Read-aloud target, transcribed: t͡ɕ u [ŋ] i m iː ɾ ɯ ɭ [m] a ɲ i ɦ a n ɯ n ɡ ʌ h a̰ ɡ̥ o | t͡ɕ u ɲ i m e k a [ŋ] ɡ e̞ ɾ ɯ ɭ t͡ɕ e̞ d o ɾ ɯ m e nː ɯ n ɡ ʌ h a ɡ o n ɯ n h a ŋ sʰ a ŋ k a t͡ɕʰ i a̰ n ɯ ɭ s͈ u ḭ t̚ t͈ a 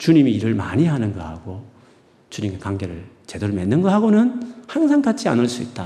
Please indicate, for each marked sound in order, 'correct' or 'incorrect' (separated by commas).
incorrect, correct, correct